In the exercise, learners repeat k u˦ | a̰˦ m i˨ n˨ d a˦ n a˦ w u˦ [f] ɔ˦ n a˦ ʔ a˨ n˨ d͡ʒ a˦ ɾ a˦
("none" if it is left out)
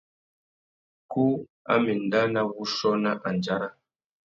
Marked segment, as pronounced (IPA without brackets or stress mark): ʃ